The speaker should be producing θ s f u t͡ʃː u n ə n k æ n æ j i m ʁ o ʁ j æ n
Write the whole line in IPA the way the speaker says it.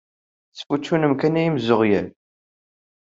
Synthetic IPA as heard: θ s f u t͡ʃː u n ə m k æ n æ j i m z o ʁ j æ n